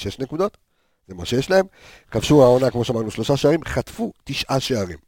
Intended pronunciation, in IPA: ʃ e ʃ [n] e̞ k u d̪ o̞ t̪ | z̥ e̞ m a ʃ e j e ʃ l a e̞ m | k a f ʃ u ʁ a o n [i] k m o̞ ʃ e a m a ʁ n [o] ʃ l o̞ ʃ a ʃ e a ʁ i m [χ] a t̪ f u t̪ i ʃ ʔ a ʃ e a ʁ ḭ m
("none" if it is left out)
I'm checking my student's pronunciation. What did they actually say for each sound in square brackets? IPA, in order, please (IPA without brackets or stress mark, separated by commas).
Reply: n, a, u, χ